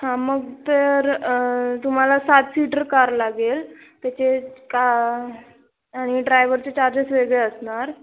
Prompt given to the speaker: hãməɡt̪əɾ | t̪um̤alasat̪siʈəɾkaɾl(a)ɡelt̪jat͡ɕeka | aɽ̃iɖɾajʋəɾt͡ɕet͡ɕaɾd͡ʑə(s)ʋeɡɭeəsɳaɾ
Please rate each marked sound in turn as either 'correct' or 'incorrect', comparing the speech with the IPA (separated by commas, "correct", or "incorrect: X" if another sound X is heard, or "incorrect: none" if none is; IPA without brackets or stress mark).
correct, correct